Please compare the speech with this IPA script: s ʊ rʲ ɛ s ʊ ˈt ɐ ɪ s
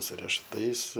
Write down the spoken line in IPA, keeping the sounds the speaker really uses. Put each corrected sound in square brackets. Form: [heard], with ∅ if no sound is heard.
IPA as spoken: s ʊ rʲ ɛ [ʃ] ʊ ˈt ɐ ɪ s